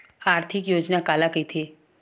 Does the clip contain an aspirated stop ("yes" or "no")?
yes